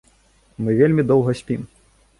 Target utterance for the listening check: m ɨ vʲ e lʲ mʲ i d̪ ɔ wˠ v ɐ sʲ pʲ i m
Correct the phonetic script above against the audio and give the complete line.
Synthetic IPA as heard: m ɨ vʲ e lʲ mʲ i d̪ ɔ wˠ ɣ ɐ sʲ pʲ i m